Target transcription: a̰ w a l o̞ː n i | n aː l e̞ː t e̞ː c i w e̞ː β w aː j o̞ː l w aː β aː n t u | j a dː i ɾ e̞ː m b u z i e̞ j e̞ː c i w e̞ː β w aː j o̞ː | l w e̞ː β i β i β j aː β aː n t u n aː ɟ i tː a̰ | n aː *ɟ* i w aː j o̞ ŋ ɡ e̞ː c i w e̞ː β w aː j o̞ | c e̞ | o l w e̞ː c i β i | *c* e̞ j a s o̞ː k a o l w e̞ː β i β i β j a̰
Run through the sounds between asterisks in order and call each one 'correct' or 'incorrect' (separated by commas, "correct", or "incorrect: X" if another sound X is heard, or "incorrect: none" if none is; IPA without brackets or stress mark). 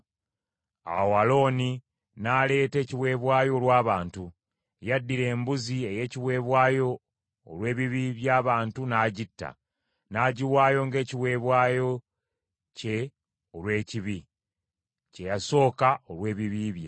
correct, correct